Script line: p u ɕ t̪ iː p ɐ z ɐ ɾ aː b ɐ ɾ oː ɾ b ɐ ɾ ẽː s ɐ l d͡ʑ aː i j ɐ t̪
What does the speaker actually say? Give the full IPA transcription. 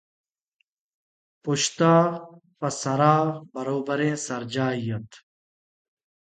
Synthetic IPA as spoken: p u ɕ t̪ aː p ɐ s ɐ ɾ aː b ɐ ɾ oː b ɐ ɾ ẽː s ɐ ɾ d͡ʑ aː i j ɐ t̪

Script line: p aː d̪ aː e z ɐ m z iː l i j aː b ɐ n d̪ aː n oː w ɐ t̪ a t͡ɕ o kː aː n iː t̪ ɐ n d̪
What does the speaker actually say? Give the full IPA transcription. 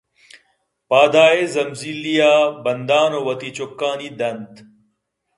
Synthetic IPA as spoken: p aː d̪ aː e z ɐ m z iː l i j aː b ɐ n d̪ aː n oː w ɐ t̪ i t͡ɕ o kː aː n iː d̪ ɐ n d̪

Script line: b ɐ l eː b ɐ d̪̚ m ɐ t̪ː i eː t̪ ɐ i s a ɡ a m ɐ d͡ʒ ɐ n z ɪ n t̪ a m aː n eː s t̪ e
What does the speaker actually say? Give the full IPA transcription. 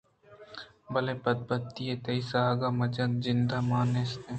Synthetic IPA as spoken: b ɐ l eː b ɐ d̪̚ b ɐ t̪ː i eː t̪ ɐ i s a ɡ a m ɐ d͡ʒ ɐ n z ɪ n d̪ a m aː n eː s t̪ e

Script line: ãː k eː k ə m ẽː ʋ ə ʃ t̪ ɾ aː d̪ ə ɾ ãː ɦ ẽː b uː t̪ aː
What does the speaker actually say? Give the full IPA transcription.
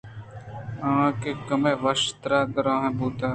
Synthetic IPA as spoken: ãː k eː k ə m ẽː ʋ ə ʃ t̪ ɾ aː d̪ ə ɾ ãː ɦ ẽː b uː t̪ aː

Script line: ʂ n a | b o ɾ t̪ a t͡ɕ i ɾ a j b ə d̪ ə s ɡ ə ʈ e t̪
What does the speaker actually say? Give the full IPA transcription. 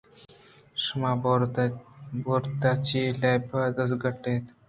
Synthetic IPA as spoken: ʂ m a | b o ɾ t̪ a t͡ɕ i l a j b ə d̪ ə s ɡ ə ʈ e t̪

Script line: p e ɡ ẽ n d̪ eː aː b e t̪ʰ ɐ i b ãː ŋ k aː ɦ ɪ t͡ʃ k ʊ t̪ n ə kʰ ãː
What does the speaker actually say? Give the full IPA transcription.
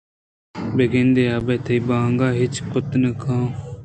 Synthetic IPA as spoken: b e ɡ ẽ n d̪ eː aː b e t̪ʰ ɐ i b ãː ŋ ɡ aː ɦ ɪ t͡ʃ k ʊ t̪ n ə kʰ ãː

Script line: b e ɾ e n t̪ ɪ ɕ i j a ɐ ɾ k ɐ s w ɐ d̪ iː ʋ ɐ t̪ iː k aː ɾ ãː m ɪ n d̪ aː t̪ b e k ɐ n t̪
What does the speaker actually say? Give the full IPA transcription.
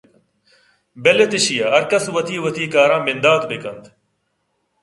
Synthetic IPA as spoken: b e l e t̪ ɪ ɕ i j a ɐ ɾ k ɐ s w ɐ t̪ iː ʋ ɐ t̪ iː k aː ɾ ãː m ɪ n d̪ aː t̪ b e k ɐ n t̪

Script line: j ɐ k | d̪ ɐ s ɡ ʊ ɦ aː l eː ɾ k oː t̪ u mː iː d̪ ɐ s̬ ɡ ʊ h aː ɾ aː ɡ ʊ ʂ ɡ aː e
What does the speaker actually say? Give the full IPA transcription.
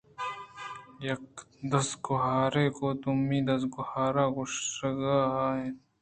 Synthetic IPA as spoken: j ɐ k | d̪ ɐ s ɡ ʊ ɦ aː ɾ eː k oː t̪ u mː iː d̪ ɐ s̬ ɡ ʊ h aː ɾ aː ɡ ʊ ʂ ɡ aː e

